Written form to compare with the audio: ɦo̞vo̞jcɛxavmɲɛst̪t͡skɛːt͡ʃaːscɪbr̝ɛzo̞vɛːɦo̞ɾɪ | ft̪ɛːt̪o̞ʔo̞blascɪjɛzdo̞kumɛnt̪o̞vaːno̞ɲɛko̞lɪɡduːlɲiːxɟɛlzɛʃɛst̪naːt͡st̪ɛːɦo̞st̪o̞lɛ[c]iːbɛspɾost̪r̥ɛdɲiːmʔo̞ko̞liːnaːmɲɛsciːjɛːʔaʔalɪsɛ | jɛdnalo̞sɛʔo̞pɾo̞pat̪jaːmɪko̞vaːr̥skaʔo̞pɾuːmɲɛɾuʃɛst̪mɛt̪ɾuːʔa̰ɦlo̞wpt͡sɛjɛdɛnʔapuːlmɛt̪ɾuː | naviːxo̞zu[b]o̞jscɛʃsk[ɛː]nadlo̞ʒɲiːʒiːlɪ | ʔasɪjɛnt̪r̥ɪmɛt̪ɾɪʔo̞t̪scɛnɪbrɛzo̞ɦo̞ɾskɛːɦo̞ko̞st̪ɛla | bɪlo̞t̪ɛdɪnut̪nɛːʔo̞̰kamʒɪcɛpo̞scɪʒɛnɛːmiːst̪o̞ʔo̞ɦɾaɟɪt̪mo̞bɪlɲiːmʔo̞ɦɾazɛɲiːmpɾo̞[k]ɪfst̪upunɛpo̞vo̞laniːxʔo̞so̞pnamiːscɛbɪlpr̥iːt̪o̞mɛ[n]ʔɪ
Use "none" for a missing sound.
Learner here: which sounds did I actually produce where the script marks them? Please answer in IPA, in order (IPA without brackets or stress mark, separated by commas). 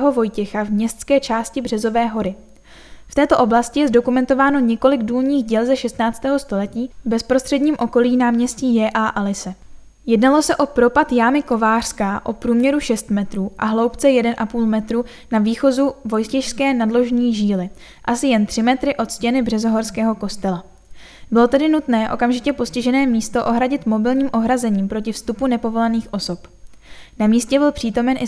c, v, ɛː, c, n